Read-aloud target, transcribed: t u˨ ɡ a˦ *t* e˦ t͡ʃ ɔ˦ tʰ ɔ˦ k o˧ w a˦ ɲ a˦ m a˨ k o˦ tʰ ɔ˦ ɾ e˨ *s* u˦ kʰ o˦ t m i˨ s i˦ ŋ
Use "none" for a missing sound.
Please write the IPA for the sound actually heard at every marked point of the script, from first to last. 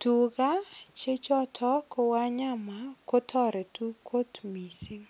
t͡ʃ, t

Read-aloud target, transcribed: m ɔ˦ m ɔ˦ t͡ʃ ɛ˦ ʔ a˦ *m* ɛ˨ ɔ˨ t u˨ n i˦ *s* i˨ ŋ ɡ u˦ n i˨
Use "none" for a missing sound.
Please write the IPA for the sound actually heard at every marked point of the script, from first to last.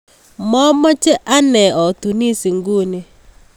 n, s

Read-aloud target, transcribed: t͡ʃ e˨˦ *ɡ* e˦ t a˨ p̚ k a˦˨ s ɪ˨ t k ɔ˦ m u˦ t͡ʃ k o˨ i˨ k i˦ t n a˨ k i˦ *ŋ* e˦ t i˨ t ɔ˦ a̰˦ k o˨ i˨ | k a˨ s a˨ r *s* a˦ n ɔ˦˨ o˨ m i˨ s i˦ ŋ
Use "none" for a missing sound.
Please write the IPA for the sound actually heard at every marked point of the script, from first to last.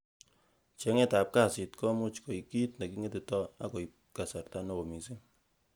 ŋ, ŋ, t

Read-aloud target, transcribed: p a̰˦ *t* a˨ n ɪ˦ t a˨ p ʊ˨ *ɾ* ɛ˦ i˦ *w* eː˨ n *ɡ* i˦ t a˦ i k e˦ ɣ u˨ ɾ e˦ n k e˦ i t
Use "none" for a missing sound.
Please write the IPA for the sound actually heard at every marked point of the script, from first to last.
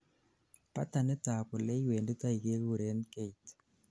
t, l, w, d

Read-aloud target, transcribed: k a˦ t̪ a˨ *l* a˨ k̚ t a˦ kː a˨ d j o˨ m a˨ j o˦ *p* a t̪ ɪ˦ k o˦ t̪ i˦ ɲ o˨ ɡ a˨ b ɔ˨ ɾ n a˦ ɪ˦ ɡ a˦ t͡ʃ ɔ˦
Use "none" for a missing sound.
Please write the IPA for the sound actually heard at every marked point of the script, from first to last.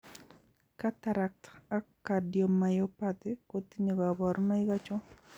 ɾ, p

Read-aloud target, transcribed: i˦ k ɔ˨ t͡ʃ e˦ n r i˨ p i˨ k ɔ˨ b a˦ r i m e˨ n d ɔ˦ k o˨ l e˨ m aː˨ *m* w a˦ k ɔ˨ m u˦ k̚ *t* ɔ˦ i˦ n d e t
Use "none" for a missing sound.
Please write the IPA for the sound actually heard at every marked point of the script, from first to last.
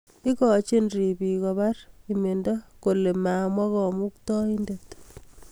m, t

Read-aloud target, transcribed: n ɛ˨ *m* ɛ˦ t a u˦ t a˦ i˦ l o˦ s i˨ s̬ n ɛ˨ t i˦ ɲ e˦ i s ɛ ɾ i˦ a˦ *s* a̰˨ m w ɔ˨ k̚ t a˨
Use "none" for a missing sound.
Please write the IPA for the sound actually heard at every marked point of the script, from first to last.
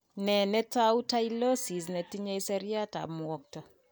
n, t

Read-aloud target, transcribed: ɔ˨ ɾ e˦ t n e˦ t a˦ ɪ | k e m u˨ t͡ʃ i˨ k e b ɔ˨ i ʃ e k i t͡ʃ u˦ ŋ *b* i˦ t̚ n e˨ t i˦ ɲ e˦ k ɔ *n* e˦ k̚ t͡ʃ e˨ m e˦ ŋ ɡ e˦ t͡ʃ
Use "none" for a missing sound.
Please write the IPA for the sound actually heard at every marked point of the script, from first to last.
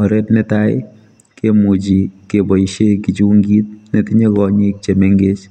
ɡ, ɲ

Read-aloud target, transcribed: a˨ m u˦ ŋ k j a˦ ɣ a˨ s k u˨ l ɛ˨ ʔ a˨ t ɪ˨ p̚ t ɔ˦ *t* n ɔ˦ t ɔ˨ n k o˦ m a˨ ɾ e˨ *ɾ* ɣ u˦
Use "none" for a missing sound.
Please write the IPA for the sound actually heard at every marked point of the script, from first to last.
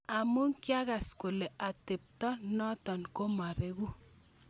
none, none

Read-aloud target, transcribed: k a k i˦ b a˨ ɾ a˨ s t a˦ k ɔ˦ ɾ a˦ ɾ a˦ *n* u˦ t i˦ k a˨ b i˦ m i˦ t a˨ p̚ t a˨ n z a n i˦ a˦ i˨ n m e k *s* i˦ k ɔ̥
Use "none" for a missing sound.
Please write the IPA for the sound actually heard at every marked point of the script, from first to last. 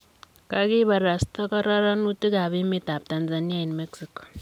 n, s

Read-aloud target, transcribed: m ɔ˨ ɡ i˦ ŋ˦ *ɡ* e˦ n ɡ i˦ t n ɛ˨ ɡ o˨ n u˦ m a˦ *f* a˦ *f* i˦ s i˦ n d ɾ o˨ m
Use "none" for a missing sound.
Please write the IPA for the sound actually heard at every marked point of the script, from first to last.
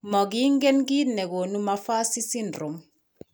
ɡ, f, s

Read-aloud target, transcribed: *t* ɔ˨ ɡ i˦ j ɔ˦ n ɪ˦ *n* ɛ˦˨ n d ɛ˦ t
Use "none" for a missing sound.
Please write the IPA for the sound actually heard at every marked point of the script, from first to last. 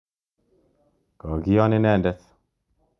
k, n

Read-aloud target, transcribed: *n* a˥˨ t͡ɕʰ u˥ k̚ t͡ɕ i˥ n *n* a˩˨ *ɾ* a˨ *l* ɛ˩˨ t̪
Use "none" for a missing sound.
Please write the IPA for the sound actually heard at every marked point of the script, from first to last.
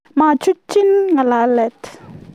m, ŋ, l, l

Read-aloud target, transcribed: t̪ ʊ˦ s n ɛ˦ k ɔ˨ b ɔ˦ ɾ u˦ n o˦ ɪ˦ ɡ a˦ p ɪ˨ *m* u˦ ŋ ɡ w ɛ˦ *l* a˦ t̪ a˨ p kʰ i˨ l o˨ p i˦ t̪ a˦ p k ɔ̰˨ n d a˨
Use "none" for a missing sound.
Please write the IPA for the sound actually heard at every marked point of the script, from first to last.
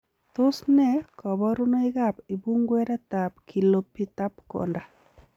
b, ɾ

